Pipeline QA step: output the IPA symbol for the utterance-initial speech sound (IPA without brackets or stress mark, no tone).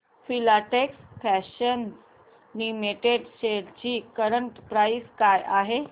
f